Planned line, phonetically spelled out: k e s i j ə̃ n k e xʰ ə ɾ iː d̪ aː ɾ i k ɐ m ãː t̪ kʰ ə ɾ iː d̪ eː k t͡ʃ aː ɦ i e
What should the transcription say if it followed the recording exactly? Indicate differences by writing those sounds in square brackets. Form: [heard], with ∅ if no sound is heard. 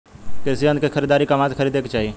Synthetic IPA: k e s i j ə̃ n k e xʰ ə ɾ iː d̪ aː ɾ i k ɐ m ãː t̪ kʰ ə ɾ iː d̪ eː k t͡ʃ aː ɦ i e